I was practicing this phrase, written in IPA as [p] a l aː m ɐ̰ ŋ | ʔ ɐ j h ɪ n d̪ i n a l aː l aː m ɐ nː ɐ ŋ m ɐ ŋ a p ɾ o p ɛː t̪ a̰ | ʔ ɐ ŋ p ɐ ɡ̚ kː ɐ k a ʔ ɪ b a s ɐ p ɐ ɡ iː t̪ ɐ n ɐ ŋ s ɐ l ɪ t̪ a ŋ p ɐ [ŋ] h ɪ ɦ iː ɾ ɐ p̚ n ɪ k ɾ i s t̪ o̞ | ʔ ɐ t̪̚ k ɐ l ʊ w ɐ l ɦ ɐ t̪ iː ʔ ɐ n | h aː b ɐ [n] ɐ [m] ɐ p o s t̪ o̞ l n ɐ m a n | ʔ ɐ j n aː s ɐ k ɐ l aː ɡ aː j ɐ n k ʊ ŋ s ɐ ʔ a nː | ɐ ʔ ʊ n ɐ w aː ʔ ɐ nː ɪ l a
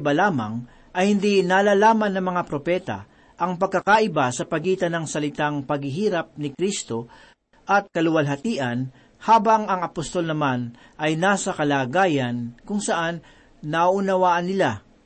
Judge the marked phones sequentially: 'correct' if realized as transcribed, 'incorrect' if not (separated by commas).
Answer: incorrect, incorrect, incorrect, incorrect